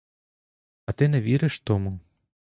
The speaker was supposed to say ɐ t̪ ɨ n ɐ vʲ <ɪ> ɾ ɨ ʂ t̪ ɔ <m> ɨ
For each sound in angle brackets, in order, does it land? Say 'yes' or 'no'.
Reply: no, yes

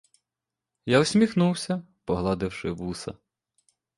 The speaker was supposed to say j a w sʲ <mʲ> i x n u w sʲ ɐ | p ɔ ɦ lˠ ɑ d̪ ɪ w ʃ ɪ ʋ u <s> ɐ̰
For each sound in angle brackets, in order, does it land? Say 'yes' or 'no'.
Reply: yes, yes

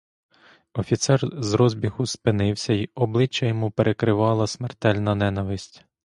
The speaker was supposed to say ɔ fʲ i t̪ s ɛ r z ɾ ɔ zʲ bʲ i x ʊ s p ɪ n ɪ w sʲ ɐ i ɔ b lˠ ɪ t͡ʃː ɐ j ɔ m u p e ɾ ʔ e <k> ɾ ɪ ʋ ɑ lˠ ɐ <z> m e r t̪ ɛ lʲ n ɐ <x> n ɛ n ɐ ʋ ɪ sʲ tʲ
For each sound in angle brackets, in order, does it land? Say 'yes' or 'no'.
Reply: yes, no, no

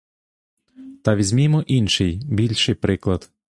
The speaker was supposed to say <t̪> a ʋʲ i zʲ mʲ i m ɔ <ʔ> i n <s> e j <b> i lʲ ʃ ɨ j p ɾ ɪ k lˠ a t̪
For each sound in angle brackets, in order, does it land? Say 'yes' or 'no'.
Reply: yes, yes, no, yes

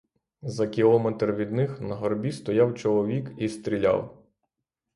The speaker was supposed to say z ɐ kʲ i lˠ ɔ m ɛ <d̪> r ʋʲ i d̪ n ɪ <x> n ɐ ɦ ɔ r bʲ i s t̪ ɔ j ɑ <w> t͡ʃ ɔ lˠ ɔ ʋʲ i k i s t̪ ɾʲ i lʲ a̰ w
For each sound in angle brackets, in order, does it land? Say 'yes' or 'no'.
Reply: no, yes, yes

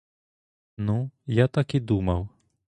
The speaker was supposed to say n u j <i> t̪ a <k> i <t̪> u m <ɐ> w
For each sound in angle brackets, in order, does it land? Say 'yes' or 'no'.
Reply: no, yes, no, yes

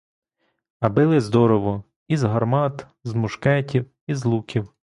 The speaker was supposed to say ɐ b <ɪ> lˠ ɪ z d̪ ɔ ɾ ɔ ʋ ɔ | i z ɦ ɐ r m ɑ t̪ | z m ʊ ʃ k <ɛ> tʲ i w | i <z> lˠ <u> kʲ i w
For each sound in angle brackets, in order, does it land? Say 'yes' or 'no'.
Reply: yes, yes, yes, yes

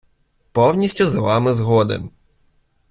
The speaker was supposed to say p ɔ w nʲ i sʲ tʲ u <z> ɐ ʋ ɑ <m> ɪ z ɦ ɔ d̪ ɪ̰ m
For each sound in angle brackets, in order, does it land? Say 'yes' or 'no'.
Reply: yes, yes

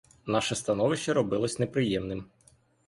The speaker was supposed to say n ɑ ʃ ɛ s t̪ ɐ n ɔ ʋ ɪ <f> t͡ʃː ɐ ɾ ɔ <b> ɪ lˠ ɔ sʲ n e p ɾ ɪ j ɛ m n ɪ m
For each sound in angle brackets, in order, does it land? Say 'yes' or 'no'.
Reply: no, yes

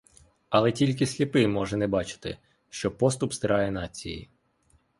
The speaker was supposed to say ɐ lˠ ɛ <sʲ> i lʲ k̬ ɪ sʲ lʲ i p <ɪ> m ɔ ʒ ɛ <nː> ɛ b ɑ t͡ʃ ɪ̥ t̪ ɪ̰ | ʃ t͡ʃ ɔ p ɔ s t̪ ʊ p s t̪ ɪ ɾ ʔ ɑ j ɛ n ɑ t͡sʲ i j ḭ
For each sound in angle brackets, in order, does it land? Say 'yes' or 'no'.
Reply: no, yes, no

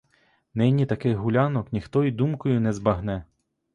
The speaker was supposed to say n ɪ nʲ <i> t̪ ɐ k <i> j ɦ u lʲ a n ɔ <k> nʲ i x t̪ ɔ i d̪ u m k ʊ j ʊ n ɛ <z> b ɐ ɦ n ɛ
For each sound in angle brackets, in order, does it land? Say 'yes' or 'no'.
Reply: yes, no, yes, yes

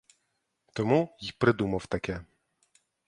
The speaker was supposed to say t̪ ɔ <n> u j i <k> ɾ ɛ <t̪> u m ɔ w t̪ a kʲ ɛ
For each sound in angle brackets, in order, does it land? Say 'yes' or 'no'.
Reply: no, no, no

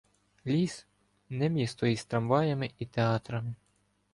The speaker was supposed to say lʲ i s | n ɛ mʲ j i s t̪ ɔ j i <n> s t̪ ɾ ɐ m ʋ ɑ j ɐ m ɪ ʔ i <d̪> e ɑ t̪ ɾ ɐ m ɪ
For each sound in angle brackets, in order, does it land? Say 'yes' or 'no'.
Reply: no, no

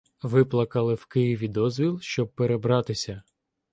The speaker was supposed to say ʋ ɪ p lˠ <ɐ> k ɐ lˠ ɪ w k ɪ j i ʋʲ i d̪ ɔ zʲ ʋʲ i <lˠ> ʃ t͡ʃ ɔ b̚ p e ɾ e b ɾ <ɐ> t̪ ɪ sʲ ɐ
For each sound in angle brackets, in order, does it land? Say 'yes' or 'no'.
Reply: yes, yes, no

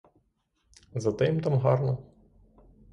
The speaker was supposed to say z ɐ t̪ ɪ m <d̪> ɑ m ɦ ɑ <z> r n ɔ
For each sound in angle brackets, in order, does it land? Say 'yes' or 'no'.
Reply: no, no

